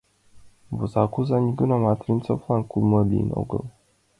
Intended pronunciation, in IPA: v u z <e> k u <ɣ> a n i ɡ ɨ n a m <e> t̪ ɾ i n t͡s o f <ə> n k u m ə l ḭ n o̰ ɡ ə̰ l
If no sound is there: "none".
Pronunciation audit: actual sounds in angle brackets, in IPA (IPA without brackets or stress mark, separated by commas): a, z, a, a